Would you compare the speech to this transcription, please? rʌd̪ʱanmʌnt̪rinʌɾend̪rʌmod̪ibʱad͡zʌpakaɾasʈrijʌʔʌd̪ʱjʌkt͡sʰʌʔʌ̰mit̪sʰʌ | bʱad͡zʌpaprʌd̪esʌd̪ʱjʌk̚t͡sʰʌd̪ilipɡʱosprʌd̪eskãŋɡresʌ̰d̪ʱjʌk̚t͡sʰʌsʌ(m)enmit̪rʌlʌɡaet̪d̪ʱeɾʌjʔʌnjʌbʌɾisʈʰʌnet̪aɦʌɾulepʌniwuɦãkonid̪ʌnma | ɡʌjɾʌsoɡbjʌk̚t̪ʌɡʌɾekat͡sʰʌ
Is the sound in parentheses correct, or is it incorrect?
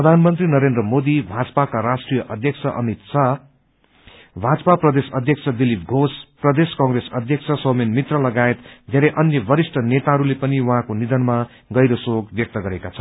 correct